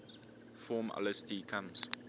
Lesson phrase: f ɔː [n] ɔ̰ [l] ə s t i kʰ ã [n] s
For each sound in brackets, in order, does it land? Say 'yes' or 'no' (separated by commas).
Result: no, yes, no